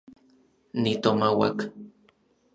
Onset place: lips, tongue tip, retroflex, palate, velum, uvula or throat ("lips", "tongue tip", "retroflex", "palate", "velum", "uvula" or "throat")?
tongue tip